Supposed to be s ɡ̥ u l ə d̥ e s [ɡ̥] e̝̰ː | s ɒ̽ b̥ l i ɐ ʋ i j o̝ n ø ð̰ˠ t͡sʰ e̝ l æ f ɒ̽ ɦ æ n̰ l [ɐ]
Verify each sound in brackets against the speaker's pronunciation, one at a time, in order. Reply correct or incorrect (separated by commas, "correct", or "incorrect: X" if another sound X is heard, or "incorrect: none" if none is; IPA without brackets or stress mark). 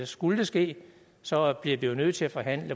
correct, incorrect: ə